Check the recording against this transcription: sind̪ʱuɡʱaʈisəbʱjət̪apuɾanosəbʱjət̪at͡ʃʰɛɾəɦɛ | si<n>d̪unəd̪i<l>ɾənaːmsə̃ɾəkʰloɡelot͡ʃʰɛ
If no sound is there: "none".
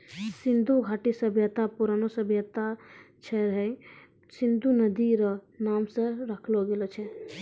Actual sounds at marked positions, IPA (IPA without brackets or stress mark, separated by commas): n, none